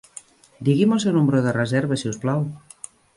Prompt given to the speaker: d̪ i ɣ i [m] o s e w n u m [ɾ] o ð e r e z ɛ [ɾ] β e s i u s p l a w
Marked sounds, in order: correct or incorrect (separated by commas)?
correct, correct, correct